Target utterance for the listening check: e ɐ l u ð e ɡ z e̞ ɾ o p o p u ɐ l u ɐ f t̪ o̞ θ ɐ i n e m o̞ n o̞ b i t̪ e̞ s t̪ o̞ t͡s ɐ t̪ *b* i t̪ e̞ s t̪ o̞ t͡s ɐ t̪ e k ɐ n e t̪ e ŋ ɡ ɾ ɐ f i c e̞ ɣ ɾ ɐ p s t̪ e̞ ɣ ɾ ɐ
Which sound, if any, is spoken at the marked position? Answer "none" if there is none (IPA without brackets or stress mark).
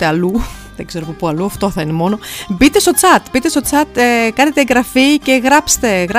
b